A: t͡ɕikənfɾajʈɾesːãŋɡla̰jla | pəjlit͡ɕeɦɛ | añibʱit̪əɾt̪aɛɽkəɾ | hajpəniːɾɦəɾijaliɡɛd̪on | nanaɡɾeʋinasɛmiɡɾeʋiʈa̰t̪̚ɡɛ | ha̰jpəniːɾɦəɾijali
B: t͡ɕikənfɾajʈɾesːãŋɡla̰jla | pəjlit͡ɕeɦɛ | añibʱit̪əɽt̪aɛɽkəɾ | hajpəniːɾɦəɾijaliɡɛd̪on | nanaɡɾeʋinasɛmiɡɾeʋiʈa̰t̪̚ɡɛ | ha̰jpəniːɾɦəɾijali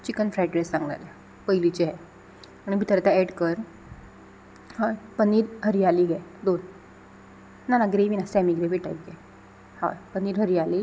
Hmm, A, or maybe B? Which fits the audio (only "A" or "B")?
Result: A